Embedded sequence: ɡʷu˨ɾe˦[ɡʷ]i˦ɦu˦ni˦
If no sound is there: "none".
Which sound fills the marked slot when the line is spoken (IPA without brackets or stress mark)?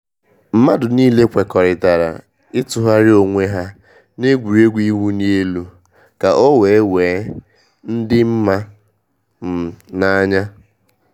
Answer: ɡʷ